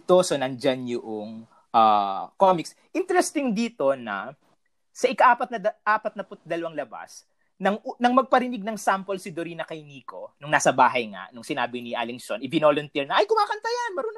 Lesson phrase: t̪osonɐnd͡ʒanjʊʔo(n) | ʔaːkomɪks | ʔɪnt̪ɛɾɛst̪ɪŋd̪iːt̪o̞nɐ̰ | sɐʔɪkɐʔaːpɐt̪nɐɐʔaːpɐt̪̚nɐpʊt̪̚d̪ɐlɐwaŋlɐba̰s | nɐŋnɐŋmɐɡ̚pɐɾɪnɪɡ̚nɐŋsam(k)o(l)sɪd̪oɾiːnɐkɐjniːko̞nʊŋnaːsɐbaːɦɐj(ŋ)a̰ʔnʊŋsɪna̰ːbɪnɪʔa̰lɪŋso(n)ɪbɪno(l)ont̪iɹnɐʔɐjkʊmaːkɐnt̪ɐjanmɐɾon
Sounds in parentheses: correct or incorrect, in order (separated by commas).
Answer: incorrect, incorrect, correct, correct, correct, correct